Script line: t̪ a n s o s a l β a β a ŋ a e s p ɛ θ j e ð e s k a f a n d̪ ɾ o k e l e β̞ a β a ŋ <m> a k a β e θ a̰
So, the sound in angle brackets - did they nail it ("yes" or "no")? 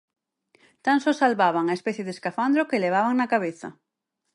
no